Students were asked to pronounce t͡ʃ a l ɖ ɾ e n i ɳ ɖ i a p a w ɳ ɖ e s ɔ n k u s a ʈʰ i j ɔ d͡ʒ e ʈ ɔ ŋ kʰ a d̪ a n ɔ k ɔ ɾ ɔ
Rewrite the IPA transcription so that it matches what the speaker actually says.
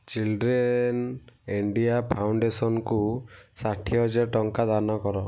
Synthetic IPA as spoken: t͡ʃ i l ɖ ɾ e n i ɳ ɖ i a pʰ a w ɳ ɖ e s ɔ n k u s a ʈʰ i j ɔ d͡ʒ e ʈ ɔ ŋ k a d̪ a n ɔ k ɔ ɾ ɔ

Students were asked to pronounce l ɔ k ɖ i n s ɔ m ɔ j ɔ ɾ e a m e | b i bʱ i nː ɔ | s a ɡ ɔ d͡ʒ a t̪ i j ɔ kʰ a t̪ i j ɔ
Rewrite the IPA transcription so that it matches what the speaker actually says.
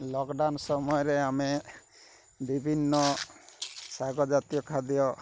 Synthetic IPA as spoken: l ɔ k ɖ a n s ɔ m ɔ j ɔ ɾ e a m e | b i bʱ i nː ɔ | s a ɡ ɔ d͡ʒ a t̪ i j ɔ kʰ a d̪ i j ɔ

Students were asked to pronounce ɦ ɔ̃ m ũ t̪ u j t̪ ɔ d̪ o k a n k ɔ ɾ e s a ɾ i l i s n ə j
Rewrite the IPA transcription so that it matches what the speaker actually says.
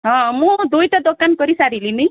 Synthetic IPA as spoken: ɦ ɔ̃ m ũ d̪ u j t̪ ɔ d̪ o k a n k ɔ ɾ i s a ɾ i l i n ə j

